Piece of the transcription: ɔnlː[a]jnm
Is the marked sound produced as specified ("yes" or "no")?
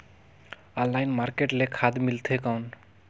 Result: yes